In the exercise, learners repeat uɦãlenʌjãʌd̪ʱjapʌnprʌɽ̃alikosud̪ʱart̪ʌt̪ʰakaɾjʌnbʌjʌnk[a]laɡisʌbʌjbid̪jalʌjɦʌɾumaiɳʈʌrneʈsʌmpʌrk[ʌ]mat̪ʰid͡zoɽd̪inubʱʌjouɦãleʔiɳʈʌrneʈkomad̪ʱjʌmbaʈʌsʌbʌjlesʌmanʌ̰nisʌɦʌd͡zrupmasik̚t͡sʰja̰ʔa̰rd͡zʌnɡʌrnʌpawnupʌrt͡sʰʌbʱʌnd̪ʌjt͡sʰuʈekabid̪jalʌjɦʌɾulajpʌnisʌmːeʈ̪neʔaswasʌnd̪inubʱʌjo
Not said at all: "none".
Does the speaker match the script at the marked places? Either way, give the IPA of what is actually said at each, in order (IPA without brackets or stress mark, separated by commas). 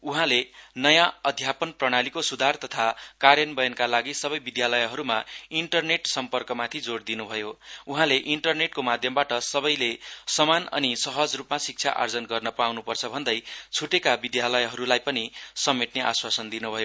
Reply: a, ʌ